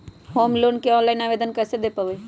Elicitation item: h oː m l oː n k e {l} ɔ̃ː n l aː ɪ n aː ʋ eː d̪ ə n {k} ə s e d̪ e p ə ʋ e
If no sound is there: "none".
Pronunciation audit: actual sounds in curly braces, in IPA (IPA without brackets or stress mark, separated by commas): none, k